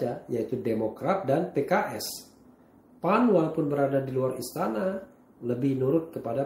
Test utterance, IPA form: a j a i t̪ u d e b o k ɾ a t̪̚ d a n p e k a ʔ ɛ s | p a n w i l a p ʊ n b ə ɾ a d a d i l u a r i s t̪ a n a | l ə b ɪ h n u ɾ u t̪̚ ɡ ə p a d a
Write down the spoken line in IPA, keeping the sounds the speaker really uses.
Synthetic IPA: a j a i t̪ u d e m o k ɾ a t̪̚ d a n p e k a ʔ ɛ s | p a n w a l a p ʊ n b ə ɾ a d a d i l u a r i s t̪ a n a | l ə b ɪ h n u ɾ ʊ t̪̚ k ə p a d a